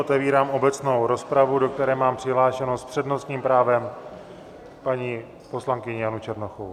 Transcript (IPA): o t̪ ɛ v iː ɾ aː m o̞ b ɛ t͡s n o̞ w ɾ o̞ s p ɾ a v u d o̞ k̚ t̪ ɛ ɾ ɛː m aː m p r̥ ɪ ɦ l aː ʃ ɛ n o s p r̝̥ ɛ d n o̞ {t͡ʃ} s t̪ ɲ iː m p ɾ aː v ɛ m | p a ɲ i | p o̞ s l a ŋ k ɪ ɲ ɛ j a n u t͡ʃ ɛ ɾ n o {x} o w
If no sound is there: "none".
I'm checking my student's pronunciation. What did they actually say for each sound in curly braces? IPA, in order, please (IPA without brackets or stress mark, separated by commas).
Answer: none, x